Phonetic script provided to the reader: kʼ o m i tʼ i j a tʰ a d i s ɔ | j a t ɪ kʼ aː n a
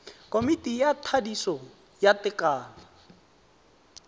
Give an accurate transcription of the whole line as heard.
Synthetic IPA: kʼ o m i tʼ i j a tʰ a d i s ɔ | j a t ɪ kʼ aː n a